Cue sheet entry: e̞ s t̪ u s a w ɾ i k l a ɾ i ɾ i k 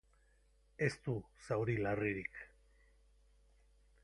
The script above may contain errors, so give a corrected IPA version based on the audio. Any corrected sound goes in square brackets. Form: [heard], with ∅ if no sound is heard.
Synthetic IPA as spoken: e̞ s t̪ u s a w ɾ i [∅] l a [r] i ɾ i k